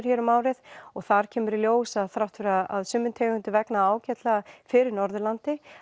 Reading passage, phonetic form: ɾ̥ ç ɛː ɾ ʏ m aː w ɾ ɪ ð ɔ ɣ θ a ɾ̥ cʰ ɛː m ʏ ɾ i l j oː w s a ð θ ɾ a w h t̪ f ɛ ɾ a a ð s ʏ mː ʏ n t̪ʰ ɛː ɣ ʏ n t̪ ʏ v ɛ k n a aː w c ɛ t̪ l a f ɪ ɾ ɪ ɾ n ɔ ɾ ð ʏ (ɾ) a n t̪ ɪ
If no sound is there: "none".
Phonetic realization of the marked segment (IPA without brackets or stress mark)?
l